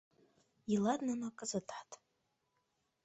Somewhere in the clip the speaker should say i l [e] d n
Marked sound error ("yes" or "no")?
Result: yes